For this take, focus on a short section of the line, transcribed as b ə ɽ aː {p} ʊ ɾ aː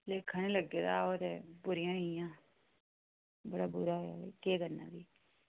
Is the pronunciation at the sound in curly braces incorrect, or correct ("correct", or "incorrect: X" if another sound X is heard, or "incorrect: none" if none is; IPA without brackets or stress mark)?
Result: incorrect: b